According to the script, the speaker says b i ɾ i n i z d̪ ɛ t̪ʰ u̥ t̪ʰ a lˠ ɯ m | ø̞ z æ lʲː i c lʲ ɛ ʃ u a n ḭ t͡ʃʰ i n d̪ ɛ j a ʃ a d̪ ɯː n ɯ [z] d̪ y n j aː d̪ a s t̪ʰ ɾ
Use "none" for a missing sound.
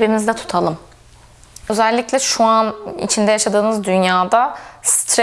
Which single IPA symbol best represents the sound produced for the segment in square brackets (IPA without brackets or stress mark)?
z